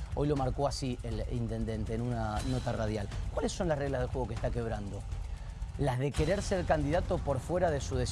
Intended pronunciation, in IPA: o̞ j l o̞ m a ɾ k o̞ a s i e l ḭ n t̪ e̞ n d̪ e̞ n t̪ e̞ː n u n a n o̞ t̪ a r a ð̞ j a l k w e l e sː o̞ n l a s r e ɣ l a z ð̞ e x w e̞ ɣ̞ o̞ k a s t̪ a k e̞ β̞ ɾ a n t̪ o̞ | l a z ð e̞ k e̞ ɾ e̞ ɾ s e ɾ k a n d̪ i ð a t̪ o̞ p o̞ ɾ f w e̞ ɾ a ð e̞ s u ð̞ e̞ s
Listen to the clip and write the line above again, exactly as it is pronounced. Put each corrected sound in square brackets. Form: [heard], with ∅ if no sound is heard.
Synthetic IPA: o̞ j l o̞ m a ɾ k o̞ a s i e l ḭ n t̪ e̞ n d̪ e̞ n t̪ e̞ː n u n a n o̞ t̪ a r a ð̞ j a l k w [a] l e sː o̞ n l a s r e ɣ l a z ð̞ e x w e̞ ɣ̞ o̞ k [e] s t̪ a k e̞ β̞ ɾ a n [d̪] o̞ | l a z ð e̞ k e̞ ɾ e̞ ɾ s e ɾ k a n d̪ i ð a t̪ o̞ p o̞ ɾ f w e̞ ɾ a ð e̞ s u ð̞ e̞ s